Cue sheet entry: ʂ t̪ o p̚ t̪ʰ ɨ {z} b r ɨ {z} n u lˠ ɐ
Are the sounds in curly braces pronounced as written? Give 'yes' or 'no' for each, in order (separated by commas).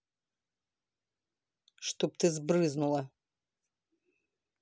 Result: yes, yes